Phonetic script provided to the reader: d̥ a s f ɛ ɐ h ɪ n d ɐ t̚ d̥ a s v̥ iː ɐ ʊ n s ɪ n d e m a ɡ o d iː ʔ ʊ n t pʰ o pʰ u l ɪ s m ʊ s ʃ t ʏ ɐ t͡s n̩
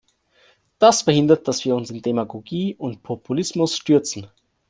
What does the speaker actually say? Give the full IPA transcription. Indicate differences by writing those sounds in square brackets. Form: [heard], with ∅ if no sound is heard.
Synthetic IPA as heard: d̥ a s f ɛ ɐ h ɪ n d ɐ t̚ d̥ a s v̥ iː ɐ ʊ n s ɪ n d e m a ɡ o [ɡ] iː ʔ ʊ n t pʰ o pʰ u l ɪ s m ʊ s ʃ t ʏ ɐ t͡s n̩